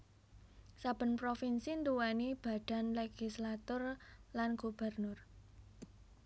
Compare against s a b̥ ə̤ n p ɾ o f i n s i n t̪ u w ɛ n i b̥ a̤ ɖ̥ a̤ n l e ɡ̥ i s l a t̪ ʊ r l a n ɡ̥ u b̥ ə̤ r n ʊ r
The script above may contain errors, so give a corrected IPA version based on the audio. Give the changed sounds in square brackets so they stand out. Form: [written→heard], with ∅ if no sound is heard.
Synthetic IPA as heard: s a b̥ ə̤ n p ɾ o f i n s i n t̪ u w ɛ n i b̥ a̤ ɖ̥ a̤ n l e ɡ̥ i s l a t̪ ʊ r l a n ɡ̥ u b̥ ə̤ r n ʊ r